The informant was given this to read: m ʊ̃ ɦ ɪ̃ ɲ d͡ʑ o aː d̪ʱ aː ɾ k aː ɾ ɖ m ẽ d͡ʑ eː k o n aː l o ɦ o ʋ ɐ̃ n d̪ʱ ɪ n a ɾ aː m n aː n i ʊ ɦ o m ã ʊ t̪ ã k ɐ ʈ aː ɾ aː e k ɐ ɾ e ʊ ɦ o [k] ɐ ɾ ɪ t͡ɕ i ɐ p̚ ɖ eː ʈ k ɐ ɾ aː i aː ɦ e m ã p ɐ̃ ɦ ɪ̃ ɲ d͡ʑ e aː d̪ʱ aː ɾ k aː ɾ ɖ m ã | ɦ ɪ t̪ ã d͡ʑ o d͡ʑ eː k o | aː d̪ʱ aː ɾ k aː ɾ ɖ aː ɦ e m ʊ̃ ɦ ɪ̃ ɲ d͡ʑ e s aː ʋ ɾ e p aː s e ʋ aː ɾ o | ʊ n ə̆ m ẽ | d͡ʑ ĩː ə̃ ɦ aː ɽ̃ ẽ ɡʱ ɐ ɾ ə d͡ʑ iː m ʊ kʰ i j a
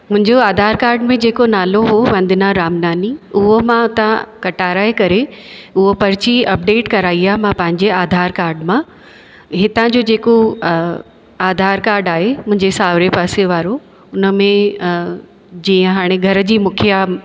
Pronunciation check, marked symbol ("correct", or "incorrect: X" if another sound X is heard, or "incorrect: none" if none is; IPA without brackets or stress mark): incorrect: p